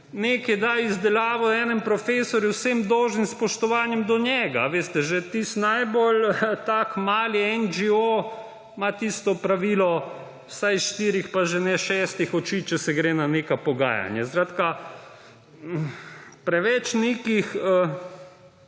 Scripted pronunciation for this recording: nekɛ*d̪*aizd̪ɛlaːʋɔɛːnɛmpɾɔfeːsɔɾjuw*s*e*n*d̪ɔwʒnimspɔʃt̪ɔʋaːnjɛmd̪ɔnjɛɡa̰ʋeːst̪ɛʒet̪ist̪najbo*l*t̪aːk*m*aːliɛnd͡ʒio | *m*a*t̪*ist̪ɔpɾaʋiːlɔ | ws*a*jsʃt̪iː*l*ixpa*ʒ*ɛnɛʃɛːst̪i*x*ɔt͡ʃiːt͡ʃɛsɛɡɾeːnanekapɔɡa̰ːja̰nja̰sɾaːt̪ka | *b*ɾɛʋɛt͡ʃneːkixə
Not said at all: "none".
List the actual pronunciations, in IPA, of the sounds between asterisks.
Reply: d̪, s, m, l, m, m, t̪, a, ɾ, ʒ, x, p

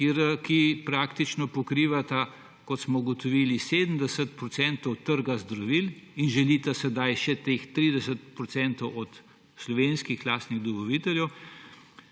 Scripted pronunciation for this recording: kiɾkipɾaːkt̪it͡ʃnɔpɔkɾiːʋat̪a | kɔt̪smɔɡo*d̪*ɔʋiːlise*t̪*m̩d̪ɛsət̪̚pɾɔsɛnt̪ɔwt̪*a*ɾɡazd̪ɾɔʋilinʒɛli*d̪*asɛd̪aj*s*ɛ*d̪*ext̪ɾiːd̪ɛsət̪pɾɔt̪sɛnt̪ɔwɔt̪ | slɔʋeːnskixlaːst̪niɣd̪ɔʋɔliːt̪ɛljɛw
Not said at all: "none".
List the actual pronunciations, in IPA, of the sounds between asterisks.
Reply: t̪, d̪, ə, t̪, ʃ, t̪

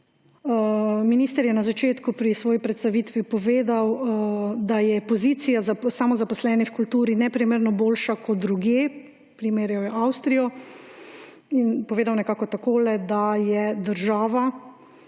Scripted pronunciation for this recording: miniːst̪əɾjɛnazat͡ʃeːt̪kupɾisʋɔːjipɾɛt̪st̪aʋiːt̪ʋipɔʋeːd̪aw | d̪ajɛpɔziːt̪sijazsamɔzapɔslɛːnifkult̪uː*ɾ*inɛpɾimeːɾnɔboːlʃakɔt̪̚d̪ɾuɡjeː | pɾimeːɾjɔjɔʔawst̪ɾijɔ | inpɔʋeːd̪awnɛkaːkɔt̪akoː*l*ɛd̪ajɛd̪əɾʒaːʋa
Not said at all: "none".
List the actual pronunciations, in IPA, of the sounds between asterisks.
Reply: ɾ, l

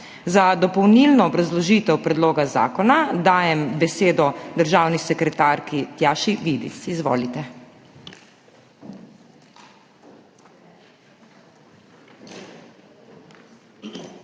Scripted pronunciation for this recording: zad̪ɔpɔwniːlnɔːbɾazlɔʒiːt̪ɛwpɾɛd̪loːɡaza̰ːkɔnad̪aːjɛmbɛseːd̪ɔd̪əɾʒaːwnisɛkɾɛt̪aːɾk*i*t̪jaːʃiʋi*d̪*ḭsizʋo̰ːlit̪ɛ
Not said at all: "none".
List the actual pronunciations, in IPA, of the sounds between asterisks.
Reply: i, d̪

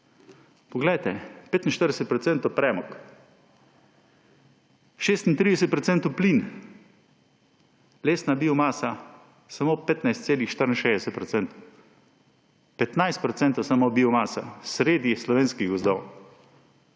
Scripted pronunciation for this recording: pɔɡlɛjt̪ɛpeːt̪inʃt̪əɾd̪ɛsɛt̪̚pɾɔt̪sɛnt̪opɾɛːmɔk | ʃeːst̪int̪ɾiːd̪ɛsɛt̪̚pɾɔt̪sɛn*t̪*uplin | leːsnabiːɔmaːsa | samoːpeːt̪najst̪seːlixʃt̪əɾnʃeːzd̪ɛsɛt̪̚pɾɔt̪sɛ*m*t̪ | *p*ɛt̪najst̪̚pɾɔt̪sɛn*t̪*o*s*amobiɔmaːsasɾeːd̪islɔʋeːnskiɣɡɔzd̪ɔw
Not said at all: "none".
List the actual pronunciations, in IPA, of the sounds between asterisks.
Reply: t̪, n, p, t̪, s

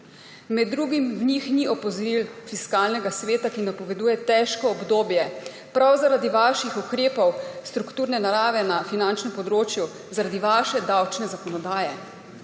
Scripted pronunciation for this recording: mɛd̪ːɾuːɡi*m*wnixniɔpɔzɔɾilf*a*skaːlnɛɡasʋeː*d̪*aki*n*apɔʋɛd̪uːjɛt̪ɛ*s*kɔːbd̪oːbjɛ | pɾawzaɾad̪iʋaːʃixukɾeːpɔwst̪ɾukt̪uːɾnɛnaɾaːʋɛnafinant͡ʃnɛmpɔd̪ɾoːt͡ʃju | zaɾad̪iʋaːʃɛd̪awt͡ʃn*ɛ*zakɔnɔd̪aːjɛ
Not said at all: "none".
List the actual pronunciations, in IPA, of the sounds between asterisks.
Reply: m, i, t̪, n, ʃ, ɛ

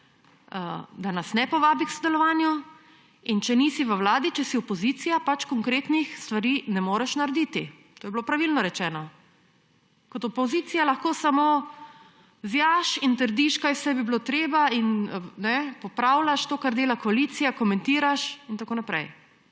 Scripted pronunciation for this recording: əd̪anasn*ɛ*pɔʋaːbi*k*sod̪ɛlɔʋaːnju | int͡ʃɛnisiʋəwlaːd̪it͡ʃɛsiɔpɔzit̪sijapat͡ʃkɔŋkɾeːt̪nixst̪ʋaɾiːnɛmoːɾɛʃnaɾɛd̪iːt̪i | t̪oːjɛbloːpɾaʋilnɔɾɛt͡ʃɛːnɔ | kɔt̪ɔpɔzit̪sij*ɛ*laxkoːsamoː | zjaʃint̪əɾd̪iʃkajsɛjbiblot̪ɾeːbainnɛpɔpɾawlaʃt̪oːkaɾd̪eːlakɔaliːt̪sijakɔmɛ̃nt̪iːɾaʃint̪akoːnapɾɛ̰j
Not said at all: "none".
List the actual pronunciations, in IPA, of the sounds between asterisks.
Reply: ɛ, k, a

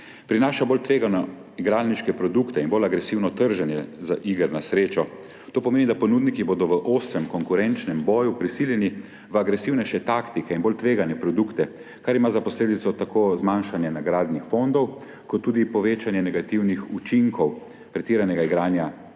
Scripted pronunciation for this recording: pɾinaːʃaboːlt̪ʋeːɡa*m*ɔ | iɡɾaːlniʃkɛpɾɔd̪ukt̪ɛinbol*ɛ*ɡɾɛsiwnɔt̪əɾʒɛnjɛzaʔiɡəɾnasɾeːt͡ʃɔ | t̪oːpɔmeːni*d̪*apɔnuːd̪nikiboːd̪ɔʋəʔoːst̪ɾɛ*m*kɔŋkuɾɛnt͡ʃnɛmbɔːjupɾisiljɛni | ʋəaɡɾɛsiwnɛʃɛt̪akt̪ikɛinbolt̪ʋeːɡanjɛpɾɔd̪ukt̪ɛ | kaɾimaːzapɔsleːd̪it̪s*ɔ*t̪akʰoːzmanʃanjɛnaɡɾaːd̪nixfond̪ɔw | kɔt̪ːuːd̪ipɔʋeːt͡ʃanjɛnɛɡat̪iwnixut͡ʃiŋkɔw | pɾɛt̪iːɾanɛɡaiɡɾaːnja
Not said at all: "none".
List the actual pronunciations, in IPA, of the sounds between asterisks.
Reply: n, a, d̪, m, ɔ

